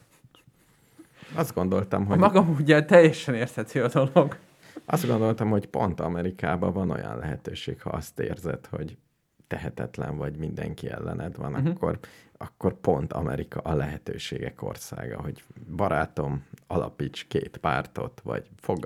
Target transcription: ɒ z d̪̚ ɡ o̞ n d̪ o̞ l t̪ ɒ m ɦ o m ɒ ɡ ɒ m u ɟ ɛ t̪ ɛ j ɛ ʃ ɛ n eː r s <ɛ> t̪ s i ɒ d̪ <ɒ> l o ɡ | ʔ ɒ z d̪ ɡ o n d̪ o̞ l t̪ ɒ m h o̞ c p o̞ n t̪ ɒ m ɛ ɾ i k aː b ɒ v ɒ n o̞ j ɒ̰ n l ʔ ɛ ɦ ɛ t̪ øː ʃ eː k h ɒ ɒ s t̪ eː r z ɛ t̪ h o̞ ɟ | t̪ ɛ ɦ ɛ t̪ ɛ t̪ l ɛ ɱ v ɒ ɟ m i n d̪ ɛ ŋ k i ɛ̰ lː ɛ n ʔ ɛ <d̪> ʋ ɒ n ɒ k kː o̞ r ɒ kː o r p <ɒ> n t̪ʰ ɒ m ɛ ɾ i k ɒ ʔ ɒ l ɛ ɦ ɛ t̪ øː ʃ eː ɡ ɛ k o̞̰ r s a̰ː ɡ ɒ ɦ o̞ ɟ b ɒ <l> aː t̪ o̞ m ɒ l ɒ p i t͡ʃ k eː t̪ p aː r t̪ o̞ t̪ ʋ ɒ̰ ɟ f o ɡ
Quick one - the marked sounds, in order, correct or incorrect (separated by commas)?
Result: correct, incorrect, correct, incorrect, incorrect